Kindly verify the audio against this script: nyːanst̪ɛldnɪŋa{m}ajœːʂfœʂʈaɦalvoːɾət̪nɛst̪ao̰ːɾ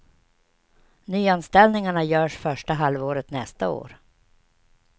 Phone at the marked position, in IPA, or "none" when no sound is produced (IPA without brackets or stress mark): ɳ